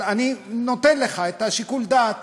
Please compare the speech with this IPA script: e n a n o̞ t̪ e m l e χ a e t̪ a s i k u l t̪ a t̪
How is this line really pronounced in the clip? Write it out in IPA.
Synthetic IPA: a n i n o̞ t̪ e n l e χ a e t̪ a ʃ i k u l d̪ a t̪